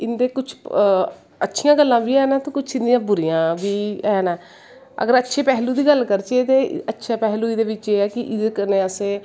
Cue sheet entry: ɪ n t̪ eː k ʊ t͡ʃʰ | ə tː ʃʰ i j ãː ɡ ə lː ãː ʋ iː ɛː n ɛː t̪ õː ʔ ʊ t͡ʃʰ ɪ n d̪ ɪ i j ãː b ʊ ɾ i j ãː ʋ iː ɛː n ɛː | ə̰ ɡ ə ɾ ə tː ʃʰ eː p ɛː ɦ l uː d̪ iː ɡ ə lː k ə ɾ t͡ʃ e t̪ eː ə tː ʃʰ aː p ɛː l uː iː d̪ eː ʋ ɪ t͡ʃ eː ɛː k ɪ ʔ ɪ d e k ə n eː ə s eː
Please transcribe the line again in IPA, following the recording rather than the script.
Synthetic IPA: ɪ n d̪ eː k ʊ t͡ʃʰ | ə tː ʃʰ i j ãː ɡ ə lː ãː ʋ iː ɛː n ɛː t̪ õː k ʊ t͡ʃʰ ɪ n d̪ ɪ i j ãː b ʊ ɾ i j ãː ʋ iː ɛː n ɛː | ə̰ ɡ ə ɾ ə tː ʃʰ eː p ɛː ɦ l uː d̪ iː ɡ ə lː k ə ɾ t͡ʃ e t̪ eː ə tː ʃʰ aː p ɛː l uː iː d̪ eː ʋ ɪ t͡ʃ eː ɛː k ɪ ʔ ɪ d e k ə n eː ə s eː